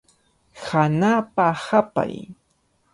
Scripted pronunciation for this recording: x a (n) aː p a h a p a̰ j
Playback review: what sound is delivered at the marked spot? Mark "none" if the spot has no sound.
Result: n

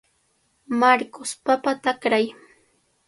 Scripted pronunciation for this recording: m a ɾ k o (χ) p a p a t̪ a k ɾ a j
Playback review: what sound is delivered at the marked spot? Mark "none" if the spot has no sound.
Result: s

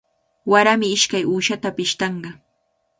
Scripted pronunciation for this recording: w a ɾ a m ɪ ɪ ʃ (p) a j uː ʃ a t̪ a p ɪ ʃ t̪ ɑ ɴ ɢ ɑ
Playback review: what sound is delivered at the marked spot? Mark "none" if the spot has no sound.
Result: k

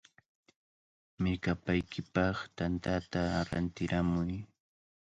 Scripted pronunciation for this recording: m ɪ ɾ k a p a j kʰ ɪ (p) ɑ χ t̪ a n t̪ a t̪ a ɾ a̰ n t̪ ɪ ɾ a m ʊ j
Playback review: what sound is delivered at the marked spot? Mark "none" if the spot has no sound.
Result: p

